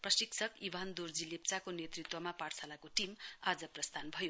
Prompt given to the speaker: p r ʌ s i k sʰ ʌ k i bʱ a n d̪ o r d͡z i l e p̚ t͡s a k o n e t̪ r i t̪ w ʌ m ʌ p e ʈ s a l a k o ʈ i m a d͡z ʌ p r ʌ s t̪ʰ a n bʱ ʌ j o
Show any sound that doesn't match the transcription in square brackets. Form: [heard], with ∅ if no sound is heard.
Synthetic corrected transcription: p r ʌ s i k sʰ ʌ k i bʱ a n d̪ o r d͡z i l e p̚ t͡s a k o n e t̪ r i t̪ w ʌ m [a] p [a] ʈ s a l a k o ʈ i m a d͡z ʌ p r ʌ s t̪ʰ a n bʱ ʌ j o